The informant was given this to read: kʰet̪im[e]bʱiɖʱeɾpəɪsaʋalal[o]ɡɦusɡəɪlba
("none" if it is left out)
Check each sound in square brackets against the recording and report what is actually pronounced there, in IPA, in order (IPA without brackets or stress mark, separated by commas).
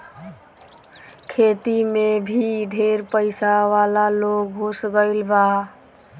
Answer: e, o